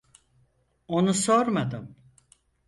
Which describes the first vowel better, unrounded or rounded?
rounded